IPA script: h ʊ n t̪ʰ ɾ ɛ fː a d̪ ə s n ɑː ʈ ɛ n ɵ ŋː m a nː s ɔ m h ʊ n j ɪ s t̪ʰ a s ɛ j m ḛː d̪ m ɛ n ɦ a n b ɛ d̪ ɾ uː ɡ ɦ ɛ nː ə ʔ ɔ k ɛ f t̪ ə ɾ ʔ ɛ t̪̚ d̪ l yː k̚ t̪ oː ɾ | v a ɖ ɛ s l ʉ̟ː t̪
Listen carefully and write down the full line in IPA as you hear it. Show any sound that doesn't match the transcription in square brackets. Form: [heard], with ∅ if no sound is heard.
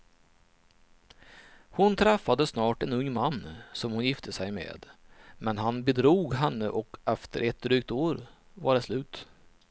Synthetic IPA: h ʊ n t̪ʰ ɾ ɛ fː a d̪ ə s n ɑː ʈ ɛ n ɵ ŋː m a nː s ɔ m h ʊ n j ɪ [f] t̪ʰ [ə] s ɛ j m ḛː d̪ m ɛ n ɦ a n b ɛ d̪ ɾ uː ɡ ɦ ɛ nː ə ʔ ɔ k ɛ f t̪ ə ɾ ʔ ɛ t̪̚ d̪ [ɾ] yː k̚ t̪ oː ɾ | v a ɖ ɛ s l ʉ̟ː t̪